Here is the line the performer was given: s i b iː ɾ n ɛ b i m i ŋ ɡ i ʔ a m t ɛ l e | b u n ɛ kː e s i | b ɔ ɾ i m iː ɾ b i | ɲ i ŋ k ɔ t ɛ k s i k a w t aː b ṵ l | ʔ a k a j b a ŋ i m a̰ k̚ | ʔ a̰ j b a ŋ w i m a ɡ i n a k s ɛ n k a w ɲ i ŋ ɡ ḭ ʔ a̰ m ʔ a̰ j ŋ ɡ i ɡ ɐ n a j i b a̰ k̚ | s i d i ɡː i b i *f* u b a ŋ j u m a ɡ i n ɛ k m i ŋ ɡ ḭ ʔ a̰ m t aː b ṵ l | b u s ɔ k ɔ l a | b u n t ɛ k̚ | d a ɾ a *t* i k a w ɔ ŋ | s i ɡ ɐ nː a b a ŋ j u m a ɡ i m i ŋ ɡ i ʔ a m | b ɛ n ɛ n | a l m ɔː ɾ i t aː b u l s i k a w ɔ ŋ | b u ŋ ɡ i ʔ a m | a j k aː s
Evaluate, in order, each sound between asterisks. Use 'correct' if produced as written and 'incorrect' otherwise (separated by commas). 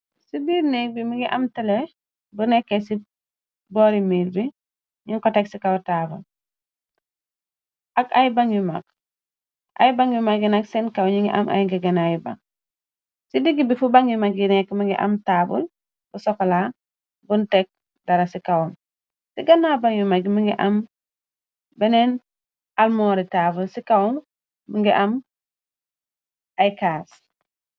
correct, incorrect